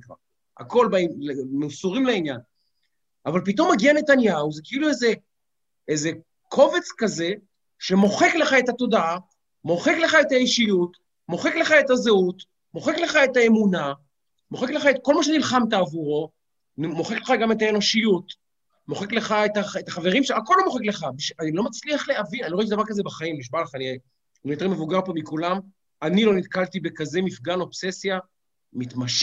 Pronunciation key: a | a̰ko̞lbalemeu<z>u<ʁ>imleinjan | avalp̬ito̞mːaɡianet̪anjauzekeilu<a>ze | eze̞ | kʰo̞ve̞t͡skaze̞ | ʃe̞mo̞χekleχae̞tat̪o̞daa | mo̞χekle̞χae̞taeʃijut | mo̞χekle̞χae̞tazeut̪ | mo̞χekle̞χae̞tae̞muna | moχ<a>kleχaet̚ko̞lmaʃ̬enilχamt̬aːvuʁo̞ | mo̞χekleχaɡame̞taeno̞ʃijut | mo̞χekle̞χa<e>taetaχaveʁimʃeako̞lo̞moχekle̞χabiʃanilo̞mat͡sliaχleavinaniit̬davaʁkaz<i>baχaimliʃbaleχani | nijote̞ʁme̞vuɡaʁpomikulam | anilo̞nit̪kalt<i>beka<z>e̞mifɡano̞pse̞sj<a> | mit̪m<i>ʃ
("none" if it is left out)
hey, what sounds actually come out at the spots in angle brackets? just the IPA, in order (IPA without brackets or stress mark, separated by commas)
s, ʁ, e, e, e, e, i, z, a, a